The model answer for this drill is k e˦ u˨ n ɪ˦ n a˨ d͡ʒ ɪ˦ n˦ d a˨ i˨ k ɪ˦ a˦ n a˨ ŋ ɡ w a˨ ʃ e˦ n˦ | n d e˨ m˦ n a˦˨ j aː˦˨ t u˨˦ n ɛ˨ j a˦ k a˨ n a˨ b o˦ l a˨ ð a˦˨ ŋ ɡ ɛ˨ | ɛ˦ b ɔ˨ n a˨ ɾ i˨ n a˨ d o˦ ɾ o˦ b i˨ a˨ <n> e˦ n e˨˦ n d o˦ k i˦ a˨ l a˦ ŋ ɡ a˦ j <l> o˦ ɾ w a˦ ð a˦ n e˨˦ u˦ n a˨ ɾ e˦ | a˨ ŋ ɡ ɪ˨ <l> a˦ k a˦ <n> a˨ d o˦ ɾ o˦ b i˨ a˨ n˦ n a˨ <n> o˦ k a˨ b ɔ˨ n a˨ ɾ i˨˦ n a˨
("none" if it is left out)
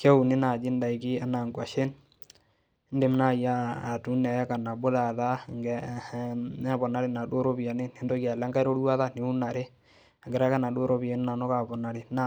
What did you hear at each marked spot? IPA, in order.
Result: n, ɾ, ɾ, n, n

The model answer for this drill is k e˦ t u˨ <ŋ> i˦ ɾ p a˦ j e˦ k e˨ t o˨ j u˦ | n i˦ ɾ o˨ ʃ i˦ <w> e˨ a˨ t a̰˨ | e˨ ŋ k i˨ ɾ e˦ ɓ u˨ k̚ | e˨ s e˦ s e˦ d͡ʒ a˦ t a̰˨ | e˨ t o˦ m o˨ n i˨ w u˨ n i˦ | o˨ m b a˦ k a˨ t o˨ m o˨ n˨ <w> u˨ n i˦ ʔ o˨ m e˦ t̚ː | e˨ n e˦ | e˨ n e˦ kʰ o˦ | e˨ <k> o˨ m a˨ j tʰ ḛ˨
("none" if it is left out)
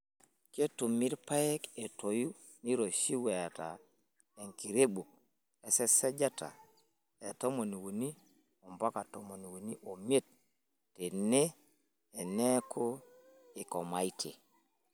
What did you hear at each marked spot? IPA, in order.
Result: m, w, w, k

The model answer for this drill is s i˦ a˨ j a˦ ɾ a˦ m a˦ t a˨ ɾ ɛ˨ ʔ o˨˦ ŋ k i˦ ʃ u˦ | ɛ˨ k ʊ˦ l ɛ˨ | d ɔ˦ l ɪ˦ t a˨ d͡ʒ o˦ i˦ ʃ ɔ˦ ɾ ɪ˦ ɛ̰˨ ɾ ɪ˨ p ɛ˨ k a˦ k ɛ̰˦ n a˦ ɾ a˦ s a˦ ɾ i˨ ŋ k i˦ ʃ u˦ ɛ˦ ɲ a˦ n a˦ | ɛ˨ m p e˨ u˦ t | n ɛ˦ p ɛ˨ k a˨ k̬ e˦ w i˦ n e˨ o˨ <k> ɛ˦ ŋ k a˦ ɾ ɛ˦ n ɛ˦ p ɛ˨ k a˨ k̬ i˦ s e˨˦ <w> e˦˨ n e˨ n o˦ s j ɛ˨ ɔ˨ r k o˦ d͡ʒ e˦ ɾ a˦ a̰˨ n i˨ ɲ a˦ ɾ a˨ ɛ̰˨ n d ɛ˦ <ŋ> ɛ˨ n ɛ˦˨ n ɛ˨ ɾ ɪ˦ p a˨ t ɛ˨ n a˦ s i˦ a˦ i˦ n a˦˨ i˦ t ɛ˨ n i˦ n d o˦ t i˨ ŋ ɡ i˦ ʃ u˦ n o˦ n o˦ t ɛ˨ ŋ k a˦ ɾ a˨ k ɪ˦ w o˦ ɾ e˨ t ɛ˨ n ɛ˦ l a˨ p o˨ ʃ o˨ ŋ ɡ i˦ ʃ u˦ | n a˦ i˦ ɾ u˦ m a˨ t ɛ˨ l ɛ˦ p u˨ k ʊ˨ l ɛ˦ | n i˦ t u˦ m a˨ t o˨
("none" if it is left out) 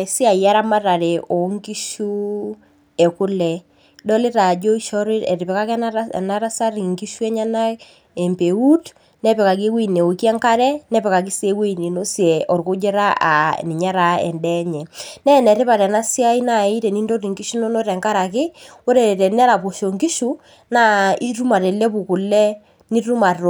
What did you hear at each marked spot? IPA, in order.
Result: k, w, ɲ

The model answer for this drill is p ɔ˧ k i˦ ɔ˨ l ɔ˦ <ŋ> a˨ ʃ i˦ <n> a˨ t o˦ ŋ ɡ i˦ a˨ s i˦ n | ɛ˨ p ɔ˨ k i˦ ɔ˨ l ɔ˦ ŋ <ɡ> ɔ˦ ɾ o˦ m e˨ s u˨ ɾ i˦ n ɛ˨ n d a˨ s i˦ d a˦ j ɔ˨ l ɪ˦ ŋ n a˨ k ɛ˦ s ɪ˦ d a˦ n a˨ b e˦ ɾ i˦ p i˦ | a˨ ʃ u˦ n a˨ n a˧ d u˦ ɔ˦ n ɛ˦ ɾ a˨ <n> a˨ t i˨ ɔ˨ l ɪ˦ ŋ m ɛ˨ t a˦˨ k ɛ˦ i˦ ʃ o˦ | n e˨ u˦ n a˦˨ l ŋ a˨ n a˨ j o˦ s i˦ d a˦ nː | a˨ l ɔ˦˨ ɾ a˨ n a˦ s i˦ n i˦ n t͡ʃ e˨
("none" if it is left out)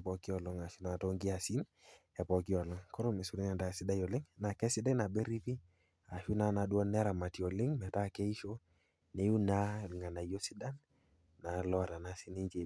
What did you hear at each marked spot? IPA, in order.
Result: ŋ, n, k, m

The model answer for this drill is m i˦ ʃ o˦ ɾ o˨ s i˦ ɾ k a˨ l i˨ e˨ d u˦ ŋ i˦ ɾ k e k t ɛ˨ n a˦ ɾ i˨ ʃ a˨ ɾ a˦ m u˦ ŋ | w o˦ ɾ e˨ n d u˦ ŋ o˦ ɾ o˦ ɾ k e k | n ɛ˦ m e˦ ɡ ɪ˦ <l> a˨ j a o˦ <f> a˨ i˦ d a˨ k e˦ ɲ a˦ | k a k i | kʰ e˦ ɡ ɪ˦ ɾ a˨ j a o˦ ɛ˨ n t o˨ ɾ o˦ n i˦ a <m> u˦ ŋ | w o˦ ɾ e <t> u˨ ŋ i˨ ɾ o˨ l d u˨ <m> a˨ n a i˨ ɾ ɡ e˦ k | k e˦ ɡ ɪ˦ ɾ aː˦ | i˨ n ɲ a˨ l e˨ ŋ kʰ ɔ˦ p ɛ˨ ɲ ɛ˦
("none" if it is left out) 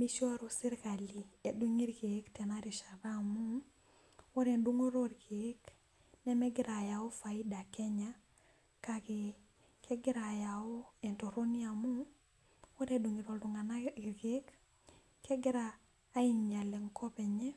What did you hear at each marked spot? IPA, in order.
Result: ɾ, f, m, d, ŋ

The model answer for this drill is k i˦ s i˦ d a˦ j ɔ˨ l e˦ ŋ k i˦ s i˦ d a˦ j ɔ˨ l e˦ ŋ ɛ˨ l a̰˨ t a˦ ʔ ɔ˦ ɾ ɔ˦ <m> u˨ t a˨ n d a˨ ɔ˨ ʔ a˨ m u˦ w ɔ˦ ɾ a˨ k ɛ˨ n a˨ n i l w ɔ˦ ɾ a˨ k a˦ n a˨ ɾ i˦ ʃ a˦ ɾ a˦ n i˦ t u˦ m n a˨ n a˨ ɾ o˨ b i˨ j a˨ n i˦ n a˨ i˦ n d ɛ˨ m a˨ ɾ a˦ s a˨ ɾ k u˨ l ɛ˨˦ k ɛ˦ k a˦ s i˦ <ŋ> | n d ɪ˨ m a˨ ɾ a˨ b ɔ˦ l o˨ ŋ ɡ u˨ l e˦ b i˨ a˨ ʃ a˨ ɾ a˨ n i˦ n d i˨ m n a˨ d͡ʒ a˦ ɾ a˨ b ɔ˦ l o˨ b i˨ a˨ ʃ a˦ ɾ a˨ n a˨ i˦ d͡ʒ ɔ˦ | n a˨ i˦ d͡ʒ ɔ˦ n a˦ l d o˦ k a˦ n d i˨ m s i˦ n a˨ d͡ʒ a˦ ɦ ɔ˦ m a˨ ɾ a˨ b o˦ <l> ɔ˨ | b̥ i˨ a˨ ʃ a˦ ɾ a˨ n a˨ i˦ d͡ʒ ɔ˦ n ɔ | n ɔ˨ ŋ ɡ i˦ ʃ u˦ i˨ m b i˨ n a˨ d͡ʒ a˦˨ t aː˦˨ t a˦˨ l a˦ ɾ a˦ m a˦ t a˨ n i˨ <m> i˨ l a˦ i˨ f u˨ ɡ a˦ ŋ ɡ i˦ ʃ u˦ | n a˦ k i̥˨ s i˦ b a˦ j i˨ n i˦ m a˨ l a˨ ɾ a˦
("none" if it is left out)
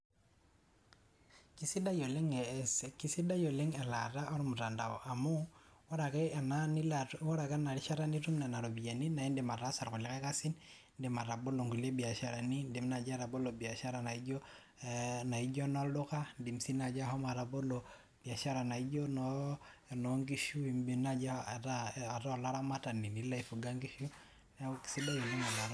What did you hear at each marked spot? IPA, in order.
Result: m, n, l, n

